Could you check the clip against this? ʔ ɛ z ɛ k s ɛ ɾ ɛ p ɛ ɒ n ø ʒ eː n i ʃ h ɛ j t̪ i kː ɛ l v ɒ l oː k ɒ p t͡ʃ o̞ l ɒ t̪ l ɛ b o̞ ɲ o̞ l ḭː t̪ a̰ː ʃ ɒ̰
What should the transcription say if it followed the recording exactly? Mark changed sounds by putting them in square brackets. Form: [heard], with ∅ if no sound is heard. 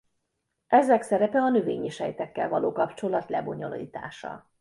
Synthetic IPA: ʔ ɛ z ɛ k s ɛ ɾ ɛ p ɛ ɒ n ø [v] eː [ɲ] i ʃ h ɛ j t̪ [ɛ] kː ɛ l v ɒ l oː k ɒ p t͡ʃ o̞ l ɒ t̪ l ɛ b o̞ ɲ o̞ l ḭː t̪ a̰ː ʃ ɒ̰